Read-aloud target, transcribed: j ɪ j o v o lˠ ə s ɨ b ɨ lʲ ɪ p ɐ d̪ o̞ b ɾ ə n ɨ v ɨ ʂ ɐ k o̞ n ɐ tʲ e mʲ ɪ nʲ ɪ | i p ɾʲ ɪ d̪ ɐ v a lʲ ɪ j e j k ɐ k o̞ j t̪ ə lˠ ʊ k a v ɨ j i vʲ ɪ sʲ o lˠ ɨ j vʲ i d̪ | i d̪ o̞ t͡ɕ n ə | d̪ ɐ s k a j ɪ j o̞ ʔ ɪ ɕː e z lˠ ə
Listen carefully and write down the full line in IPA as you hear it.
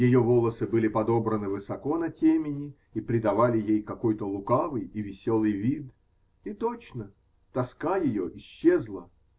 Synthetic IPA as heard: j ɪ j o v o lˠ ə s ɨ b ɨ lʲ ɪ p ɐ d̪ o̞ b ɾ ə n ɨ v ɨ s ɐ k o̞ n ɐ tʲ e mʲ ɪ nʲ ɪ | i p ɾʲ ɪ d̪ ɐ v a lʲ ɪ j e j k ɐ k o̞ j t̪ ə lˠ ʊ k a v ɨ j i vʲ ɪ sʲ o lˠ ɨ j vʲ i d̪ | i t̪ o̞ t͡ɕ n ə | t̪ ɐ s k a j ɪ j o̞ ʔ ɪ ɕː e z lˠ ə

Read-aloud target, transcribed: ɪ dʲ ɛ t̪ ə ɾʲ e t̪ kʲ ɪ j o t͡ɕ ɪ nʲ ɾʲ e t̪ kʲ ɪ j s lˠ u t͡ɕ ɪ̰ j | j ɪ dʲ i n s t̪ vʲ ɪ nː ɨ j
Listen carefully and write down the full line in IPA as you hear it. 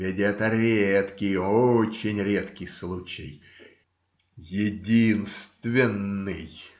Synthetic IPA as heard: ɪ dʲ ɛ t̪ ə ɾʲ e t̪ kʲ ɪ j o t͡ɕ ɪ nʲ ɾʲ e t̪ kʲ ɪ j s lˠ u t͡ɕ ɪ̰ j | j ɪ dʲ i n s t̪ vʲ ɪ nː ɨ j

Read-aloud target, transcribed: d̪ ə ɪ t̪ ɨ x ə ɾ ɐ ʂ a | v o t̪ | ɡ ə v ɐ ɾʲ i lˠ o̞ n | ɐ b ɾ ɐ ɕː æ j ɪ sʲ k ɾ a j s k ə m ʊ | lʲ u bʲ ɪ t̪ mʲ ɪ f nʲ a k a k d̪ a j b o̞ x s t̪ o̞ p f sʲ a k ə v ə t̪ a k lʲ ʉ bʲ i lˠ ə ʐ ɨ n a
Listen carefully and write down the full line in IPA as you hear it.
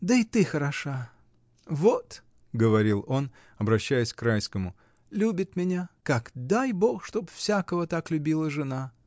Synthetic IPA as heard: d̪ ə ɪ t̪ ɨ x ə ɾ ɐ ʂ a | v o t̪ | ɡ ə v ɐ ɾʲ i lˠ o̞ n | ɐ b ɾ ɐ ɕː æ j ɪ sʲ k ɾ a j s k ə m ʊ | lʲ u bʲ ɪ t̪ mʲ ɪ nʲ a k a k d̪ a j b o̞ x ʂ t̪ o̞ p f sʲ a k ə v ə t̪ a k lʲ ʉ bʲ i lˠ ə ʐ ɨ n a

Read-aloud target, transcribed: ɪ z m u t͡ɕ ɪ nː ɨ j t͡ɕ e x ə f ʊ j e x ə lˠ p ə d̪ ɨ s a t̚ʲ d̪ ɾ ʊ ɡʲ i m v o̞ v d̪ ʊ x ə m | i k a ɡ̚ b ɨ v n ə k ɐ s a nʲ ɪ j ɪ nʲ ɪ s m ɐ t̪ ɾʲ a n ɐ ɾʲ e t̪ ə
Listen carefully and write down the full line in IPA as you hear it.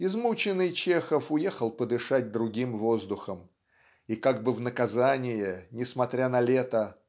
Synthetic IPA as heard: ɪ z m u t͡ɕ ɪ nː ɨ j t͡ɕ e x ə f ʊ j e x ə lˠ p ə d̪ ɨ ʂ a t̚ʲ d̪ ɾ ʊ ɡʲ i m v o̞ z d̪ ʊ x ə m | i k a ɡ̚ b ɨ v n ə k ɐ z a nʲ ɪ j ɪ nʲ ɪ s m ɐ t̪ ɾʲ a n ɐ lʲ e t̪ ə

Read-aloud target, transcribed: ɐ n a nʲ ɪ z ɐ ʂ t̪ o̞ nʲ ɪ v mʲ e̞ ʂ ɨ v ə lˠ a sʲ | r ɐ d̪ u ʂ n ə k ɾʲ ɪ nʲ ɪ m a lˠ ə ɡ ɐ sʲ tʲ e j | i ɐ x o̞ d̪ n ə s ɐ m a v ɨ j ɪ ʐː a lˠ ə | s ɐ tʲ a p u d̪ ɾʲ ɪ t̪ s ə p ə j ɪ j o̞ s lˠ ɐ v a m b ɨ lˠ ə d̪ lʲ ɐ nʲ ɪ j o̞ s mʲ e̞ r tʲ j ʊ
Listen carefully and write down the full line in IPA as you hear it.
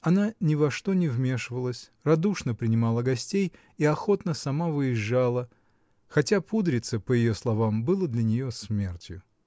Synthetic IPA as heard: ɐ n a nʲ ɪ v ɐ ʂ t̪ o̞ nʲ ɪ v mʲ e̞ ʂ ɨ v ə lˠ ə sʲ | r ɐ d̪ u ʂ n ə p ɾʲ ɪ nʲ ɪ m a lˠ ə ɡ ɐ sʲ tʲ e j | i ɐ x o̞ t̪ n ə s ɐ m a v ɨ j ɪ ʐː a lˠ ə | x ɐ tʲ a p u d̪ ɾʲ ɪ t̪ s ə p ə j ɪ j o̞ s lˠ ɐ v a m b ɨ lˠ ə d̪ lʲ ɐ nʲ ɪ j o̞ s mʲ e̞ r tʲ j ʊ

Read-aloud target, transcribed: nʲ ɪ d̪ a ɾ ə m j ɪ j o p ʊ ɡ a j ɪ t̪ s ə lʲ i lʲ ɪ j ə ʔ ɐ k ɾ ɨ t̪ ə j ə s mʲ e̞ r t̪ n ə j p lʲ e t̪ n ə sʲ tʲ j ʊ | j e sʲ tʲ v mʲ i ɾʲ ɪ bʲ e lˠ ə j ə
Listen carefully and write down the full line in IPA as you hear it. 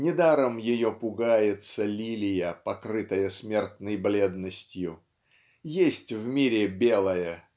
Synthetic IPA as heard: nʲ ɪ d̪ a ɾ ə m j ɪ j o p ʊ ɡ a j ɪ t̪ s ə lʲ i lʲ ɪ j ə p ɐ k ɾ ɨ t̪ ə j ə s mʲ e̞ r t̪ n ə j b lʲ e d̪ n ə sʲ tʲ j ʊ | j e sʲ tʲ v mʲ i ɾʲ ɪ bʲ e lˠ ə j ə

